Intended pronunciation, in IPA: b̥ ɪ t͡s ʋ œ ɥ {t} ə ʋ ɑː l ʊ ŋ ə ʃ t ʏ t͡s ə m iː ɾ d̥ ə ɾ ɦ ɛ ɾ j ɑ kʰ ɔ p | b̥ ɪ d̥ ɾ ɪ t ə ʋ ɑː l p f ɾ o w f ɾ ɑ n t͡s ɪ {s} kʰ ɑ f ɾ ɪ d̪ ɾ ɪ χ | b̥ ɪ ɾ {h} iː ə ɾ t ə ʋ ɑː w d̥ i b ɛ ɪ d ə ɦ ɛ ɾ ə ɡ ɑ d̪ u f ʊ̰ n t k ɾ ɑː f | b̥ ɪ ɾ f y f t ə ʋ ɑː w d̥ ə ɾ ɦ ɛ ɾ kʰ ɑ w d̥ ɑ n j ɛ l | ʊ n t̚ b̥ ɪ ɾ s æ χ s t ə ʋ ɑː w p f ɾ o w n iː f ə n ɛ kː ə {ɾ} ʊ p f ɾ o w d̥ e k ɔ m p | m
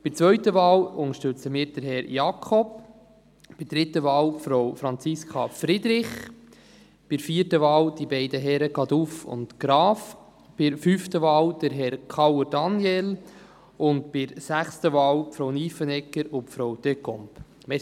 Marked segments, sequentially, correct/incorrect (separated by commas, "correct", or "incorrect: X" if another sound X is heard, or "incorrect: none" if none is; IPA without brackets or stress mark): correct, correct, incorrect: f, correct